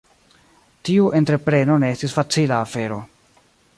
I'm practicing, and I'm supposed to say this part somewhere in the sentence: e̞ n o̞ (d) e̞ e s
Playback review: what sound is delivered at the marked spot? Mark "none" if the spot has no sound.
n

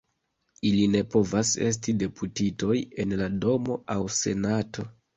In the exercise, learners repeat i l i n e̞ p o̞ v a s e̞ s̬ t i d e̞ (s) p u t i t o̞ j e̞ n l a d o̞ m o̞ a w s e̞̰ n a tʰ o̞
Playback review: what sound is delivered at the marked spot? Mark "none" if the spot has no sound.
none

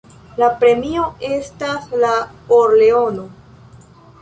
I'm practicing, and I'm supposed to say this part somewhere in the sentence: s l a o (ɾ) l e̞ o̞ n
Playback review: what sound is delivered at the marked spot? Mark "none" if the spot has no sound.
ɾ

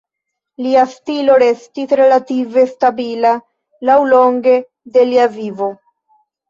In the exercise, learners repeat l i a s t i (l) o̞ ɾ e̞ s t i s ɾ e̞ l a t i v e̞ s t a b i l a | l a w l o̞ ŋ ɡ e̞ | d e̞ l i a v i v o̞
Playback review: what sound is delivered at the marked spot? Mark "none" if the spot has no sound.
l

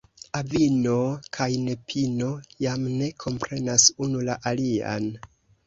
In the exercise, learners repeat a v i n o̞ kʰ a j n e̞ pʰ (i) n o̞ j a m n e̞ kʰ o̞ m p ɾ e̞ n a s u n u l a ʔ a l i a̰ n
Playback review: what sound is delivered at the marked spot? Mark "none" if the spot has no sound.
i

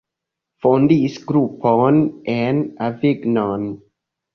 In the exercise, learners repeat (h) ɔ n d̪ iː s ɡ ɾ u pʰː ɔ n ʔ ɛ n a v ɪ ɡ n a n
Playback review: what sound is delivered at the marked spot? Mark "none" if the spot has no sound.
f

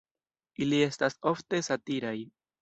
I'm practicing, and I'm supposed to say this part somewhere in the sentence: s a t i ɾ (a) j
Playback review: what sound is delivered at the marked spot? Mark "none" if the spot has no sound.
a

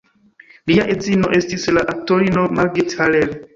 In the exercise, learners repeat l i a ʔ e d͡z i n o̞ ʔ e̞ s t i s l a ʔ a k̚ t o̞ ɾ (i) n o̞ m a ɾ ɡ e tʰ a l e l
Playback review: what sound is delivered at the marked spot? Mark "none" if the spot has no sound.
i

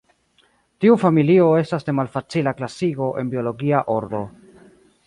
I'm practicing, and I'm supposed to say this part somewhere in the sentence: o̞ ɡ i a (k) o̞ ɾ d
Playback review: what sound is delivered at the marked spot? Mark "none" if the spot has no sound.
ʔ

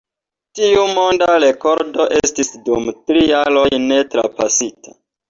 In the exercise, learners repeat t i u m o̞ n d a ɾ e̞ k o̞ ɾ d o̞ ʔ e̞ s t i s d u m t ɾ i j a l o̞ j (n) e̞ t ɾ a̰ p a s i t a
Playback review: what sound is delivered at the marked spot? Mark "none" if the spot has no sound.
n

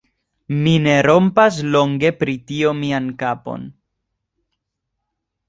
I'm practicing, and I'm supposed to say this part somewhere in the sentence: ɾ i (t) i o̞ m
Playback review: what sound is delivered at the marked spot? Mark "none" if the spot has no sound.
t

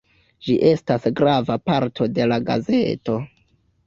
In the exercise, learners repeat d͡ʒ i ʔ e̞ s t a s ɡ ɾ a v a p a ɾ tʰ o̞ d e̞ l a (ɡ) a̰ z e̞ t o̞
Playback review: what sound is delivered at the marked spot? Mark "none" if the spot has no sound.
ɡ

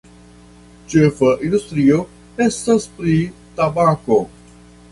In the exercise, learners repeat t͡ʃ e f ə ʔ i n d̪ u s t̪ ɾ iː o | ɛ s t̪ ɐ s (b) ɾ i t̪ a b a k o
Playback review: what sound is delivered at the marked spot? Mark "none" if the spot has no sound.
p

